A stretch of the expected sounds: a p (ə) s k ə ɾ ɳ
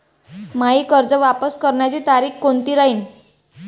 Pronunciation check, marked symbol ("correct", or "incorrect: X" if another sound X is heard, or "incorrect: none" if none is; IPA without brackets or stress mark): correct